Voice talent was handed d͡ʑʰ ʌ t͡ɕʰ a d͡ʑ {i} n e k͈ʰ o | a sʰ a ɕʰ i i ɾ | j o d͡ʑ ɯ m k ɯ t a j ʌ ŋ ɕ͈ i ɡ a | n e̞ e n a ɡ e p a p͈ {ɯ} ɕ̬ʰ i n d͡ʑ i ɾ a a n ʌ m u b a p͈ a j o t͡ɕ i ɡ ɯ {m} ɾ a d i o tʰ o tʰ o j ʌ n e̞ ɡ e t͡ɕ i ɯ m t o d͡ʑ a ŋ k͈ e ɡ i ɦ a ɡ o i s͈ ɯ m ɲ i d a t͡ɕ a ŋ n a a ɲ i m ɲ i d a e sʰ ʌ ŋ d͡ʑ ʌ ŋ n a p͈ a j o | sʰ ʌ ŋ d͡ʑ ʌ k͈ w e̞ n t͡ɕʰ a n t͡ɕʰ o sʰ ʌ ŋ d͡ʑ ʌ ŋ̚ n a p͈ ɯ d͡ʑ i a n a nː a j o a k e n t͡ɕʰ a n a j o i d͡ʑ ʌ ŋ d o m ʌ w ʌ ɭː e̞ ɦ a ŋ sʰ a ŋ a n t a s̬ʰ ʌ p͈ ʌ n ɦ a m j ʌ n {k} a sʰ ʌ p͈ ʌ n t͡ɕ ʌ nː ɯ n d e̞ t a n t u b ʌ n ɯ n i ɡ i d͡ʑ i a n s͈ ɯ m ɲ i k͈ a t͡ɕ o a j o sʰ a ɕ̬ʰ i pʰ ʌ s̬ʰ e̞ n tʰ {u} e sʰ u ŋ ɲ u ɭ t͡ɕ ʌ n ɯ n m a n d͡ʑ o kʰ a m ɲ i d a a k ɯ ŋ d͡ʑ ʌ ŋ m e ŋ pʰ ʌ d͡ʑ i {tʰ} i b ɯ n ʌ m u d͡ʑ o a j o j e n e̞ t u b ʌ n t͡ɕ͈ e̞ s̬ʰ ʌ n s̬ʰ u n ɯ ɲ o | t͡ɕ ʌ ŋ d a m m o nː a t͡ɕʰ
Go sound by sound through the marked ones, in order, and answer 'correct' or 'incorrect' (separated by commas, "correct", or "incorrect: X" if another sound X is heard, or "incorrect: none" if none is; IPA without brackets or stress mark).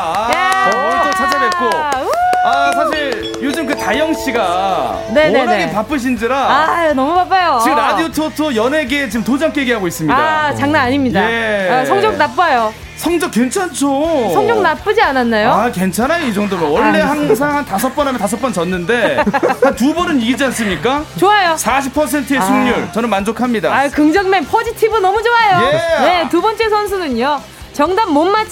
incorrect: a, correct, correct, incorrect: t, incorrect: ɯ, correct